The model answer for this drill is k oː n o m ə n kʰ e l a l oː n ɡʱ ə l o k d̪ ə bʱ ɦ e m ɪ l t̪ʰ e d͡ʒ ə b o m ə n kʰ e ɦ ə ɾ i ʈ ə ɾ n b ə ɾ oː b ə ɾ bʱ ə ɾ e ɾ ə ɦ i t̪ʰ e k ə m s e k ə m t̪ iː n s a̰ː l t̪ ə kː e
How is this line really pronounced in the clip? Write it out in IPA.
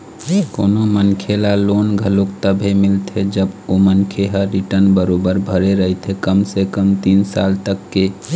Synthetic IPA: k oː n o m ə n kʰ e l a l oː n ɡʱ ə l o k t̪ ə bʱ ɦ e m ɪ l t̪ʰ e d͡ʒ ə b o m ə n kʰ e ɦ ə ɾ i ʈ ə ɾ n b ə ɾ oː b ə ɾ bʱ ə ɾ e ɾ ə ɦ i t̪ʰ e k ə m s e k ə m t̪ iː n s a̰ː l t̪ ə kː e